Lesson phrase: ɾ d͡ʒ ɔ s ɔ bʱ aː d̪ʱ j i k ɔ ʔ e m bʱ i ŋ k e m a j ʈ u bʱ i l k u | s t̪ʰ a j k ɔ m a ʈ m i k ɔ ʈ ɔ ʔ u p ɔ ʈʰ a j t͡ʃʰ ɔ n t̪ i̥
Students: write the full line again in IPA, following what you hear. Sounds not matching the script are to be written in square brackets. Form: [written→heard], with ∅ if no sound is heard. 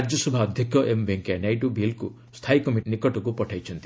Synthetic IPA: ɾ d͡ʒ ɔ s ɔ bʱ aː d̪ʱ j i k ɔ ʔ e m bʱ [i→e] ŋ k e [m→n] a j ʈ u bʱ i l k u | s t̪ʰ a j k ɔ m [a→i] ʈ [m→n] i k ɔ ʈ ɔ [ʔ→k] u p ɔ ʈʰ a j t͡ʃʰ ɔ n t̪ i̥